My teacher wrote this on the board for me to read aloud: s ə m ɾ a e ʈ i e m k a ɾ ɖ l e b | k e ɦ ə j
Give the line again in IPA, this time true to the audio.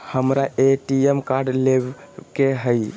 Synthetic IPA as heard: h ə m ɾ a e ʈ i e m k a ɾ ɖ l e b | k e ɦ ə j